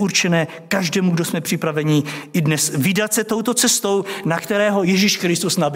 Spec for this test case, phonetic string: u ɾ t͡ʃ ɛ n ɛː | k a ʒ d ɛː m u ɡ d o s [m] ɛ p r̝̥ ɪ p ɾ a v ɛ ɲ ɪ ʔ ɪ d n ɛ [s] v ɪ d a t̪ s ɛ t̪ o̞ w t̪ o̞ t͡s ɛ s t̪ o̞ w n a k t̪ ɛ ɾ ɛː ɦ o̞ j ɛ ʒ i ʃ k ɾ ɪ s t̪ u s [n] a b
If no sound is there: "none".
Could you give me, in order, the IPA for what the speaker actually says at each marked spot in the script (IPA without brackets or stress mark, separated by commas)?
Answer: m, s, n